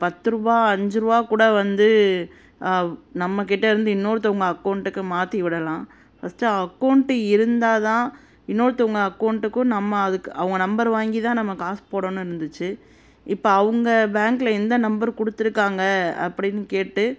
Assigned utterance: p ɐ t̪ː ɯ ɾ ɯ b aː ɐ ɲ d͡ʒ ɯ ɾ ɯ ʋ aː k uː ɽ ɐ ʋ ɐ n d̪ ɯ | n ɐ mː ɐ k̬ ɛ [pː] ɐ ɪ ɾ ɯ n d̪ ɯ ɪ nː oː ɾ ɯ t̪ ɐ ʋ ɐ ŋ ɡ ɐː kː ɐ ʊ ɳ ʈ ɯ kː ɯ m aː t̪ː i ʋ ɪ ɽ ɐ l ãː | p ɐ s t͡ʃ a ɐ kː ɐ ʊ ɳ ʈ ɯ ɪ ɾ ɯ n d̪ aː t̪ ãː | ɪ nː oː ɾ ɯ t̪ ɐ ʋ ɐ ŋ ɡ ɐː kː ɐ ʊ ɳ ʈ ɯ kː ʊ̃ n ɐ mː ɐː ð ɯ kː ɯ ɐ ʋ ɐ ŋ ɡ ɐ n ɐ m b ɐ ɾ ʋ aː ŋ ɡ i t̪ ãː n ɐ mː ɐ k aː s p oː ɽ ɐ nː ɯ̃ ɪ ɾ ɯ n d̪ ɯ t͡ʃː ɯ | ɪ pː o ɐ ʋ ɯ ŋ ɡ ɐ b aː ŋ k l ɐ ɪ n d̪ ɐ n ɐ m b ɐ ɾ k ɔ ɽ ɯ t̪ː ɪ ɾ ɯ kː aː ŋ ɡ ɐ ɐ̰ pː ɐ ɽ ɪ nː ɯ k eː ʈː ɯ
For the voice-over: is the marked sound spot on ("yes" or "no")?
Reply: no